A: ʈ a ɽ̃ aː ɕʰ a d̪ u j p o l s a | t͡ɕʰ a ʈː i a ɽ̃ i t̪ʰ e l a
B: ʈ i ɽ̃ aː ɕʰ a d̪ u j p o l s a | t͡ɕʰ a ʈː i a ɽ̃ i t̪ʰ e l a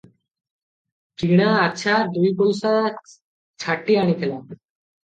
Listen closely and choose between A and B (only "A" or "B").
B